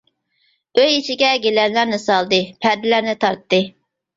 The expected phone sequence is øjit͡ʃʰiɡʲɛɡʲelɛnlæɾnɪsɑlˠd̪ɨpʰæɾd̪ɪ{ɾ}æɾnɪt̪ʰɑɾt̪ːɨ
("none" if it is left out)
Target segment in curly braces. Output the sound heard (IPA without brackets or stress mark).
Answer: l